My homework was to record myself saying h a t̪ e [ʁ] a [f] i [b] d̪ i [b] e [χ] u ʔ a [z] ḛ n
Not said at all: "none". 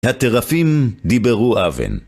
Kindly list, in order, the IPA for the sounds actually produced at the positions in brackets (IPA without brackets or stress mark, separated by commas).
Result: ʁ, f, m, b, ʁ, v